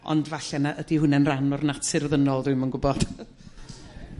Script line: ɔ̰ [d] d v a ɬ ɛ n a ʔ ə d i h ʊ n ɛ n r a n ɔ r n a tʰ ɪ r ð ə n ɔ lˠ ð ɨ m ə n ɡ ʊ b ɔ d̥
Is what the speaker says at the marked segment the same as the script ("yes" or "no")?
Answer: no